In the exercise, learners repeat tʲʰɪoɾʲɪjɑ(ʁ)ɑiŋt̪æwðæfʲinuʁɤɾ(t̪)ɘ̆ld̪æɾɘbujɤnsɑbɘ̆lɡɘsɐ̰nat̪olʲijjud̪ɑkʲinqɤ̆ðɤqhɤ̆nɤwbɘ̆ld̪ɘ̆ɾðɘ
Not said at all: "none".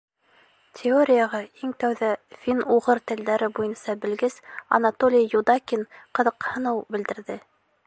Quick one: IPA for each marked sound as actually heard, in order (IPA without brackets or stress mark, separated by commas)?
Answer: ʁ, t̪